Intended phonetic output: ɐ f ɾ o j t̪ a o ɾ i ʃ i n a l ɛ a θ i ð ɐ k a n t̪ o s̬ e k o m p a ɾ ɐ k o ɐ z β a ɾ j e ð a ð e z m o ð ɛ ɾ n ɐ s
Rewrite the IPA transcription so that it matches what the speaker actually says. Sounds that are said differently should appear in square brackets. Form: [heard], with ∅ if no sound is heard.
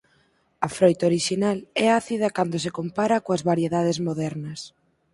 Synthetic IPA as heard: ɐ f ɾ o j t̪ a o ɾ i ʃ i n a l ɛ a θ i ð ɐ k a n [d̪] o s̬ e k o m p a ɾ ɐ k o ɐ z β a ɾ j e ð a ð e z m o ð ɛ ɾ n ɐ s